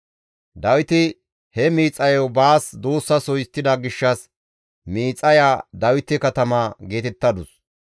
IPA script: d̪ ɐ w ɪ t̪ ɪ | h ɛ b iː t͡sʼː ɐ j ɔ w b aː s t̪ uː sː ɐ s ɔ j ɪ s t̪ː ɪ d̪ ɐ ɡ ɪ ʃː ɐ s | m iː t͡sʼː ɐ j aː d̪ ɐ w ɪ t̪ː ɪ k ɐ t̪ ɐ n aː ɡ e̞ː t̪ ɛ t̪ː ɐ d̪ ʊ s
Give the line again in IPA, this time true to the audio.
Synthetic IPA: d̪ ɐ w ɪ t̪ ɪ | h ɛ m iː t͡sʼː ɐ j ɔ w b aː s d̪ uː sː ɐ s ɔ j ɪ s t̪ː ɪ d̪ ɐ ɡ ɪ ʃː ɐ s | m iː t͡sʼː ɐ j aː d̪ ɐ w ɪ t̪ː ɪ k ɐ t̪ ɐ m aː ɡ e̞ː t̪ ɛ t̪ː ɐ d̪ ʊ s

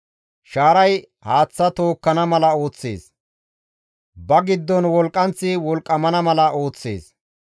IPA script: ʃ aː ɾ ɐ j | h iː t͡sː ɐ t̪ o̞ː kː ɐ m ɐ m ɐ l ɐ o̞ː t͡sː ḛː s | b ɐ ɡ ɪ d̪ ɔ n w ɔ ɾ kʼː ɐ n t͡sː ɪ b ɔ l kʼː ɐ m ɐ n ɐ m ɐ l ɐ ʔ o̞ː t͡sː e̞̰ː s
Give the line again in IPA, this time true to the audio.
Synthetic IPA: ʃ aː ɾ ɐ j | h aː t͡sː ɐ t̪ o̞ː kː ɐ n ɐ m ɐ l ɐ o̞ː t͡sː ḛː s | b ɐ ɡ ɪ d̪ː ɔ n w ɔ l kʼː ɐ n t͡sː ɪ w ɔ l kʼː ɐ m ɐ n ɐ m ɐ l ɐ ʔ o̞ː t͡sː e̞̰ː s

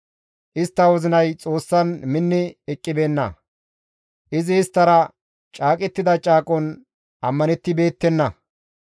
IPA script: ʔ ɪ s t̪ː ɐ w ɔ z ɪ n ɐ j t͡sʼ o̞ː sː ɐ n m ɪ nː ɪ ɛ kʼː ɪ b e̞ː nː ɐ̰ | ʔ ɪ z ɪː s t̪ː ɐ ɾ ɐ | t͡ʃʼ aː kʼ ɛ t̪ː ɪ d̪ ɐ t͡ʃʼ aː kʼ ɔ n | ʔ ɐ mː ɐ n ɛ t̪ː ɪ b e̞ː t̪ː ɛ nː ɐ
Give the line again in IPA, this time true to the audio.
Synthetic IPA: ʔ ɪ s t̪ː ɐ w ɔ z ɪ n ɐ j t͡sʼ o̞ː sː ɐ n m ɪ nː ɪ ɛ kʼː ɪ b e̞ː nː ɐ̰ | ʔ ɪ z ɪː s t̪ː ɐ ɾ ɐ | t͡ʃʼ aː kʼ ɛ t̪ː ɪ d̪ ɐ t͡ʃʼ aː kʼ ɔ n | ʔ ɐ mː ɐ n ɛ t̪ː ɪ b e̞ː t̪ː ɛ nː ɐ

